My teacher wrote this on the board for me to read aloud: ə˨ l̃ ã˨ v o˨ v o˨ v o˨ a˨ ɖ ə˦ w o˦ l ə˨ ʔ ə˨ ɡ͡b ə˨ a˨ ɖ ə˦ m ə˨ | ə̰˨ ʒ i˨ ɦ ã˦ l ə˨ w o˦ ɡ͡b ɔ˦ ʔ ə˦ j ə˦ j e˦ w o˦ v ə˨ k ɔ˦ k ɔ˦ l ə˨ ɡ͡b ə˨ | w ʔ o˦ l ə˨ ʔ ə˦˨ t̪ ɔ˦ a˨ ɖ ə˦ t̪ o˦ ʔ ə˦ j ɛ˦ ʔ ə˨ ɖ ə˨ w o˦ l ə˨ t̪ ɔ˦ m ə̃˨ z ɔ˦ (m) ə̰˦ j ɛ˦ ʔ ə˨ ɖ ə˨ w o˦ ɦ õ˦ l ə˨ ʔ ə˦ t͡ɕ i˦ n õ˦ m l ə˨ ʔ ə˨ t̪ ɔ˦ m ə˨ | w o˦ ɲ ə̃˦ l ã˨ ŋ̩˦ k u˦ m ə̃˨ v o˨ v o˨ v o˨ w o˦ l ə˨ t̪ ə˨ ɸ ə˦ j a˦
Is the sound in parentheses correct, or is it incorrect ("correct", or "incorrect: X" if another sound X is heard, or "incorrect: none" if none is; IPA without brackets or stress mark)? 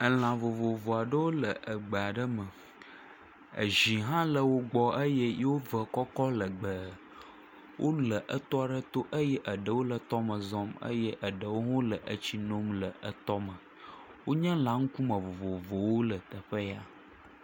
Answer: correct